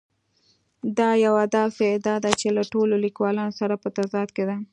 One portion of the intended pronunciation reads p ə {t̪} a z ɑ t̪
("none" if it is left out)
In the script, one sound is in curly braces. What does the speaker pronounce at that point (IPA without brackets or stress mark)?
t̪